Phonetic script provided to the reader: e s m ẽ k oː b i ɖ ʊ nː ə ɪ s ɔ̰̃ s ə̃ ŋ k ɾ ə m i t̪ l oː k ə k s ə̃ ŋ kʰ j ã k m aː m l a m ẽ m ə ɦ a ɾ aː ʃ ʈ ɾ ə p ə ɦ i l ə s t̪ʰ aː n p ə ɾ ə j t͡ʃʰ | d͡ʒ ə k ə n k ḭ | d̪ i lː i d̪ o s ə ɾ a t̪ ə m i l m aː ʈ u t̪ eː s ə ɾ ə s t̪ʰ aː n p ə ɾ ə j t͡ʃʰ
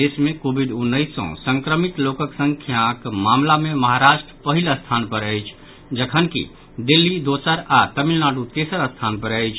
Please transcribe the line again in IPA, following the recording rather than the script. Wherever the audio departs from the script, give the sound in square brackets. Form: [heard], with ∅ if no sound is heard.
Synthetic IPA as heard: e s m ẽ k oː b i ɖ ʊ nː ə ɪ s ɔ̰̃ s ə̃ ŋ k ɾ ə m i t̪ l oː k ə k s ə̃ ŋ kʰ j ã k m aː m l a m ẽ m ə ɦ a ɾ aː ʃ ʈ ɾ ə p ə ɦ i l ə s t̪ʰ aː n p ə ɾ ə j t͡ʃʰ | d͡ʒ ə [kʰ] ə n k ḭ | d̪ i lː i d̪ o s ə ɾ a t̪ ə m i l [n] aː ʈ u t̪ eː s ə ɾ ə s t̪ʰ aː n p ə ɾ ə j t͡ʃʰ